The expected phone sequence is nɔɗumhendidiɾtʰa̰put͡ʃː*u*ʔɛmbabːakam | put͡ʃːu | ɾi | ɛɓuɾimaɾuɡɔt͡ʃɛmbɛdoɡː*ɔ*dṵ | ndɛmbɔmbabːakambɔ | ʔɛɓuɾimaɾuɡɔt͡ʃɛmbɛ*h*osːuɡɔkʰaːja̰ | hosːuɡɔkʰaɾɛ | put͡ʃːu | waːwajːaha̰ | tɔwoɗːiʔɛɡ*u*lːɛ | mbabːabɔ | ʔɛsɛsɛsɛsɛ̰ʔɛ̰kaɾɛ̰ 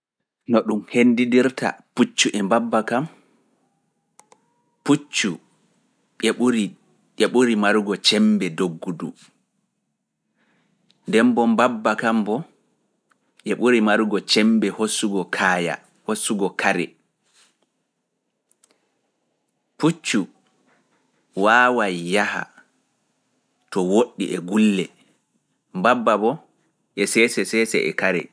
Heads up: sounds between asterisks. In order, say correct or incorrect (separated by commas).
correct, incorrect, correct, correct